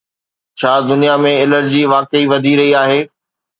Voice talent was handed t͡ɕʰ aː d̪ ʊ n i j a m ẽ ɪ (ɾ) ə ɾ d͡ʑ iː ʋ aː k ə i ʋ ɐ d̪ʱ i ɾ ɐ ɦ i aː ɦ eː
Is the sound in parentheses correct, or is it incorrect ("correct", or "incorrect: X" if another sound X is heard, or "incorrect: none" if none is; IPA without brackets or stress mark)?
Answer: incorrect: l